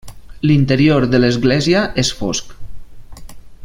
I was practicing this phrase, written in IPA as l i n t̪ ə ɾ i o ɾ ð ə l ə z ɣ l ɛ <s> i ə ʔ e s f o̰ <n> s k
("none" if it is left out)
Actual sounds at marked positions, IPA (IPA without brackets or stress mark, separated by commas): z, none